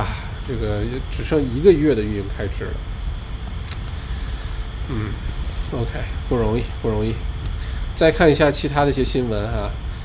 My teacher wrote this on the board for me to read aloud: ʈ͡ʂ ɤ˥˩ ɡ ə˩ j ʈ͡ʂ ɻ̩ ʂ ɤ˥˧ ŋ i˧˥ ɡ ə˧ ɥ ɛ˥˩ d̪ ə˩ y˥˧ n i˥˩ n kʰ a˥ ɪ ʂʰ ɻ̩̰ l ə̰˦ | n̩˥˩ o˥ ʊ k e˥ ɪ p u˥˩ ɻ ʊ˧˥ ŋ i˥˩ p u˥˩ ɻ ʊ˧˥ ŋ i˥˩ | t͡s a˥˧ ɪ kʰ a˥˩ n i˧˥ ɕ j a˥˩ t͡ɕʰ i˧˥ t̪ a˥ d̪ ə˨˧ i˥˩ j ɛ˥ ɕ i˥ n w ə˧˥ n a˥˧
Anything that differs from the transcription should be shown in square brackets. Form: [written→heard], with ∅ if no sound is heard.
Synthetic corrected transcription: ʈ͡ʂ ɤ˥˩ ɡ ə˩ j ʈ͡ʂ ɻ̩ ʂ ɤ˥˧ ŋ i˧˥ ɡ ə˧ ɥ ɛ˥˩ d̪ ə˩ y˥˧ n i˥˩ [n→ŋ] kʰ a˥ ɪ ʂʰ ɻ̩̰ l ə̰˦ | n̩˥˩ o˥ ʊ [k→kʰ] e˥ ɪ p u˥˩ ɻ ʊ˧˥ ŋ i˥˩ p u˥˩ ɻ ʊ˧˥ ŋ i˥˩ | t͡s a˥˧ ɪ kʰ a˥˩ n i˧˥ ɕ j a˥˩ t͡ɕʰ i˧˥ [t̪→t̪ʰ] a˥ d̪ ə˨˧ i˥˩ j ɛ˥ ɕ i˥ n w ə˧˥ n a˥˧